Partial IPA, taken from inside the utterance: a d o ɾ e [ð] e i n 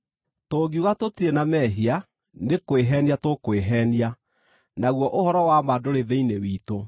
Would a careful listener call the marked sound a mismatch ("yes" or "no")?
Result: no